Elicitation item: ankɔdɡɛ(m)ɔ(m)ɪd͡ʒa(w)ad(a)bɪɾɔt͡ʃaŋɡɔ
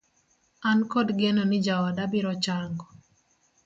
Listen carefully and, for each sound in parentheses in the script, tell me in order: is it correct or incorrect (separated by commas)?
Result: incorrect, incorrect, correct, correct